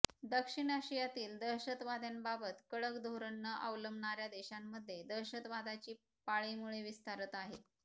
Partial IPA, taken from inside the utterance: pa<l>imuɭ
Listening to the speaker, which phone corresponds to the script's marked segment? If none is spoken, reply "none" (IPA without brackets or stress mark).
ɭ